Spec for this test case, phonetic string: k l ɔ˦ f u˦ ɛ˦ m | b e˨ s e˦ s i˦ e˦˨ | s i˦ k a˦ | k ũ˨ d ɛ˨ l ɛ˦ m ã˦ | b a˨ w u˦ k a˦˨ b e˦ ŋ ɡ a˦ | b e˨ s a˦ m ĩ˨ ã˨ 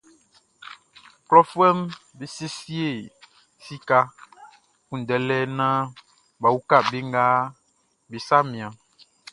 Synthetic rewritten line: k l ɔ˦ f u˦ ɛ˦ m | b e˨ s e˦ s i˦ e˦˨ | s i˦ k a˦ | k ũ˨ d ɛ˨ l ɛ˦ n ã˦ | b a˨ w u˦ k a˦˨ b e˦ ŋ ɡ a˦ | b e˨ s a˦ m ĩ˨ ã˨